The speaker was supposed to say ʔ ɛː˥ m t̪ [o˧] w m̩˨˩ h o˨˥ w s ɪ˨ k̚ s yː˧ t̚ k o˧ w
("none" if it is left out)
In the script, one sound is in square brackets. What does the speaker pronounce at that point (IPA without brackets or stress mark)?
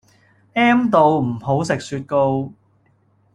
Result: o˧